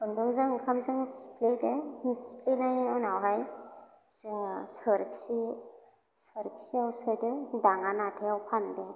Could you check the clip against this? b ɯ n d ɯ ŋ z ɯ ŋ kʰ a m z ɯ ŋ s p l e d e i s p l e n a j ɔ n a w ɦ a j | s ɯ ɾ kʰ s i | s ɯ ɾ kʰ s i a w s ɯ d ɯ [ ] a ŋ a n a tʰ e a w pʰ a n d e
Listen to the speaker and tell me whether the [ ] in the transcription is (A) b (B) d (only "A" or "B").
B